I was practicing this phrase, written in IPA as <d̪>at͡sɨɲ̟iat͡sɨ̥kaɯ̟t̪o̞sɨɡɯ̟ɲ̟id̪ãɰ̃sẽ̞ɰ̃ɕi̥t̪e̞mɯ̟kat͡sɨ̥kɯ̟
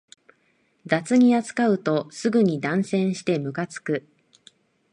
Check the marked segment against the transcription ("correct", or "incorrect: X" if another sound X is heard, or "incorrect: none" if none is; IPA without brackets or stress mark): correct